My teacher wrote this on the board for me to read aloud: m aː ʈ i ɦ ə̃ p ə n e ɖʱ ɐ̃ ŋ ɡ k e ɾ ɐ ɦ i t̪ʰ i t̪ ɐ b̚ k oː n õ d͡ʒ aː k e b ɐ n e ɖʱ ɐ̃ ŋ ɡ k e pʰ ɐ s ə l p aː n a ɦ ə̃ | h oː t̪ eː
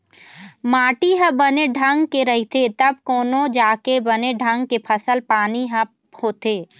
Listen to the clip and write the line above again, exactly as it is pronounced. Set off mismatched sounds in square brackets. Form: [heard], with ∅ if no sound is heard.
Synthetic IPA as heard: m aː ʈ i ɦ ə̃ [b] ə n e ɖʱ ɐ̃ ŋ ɡ k e ɾ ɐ ɦ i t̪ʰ [e] t̪ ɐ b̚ k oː n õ d͡ʒ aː k e b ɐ n e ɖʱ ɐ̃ ŋ ɡ k e pʰ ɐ s ə l p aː n [i] ɦ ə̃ | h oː t̪ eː